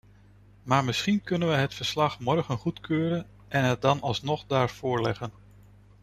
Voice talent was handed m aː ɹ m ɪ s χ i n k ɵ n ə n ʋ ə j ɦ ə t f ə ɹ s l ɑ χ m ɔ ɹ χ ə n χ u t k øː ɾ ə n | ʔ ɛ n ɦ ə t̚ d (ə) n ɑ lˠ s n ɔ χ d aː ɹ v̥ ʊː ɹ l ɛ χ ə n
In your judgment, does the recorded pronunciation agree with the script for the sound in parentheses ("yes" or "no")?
no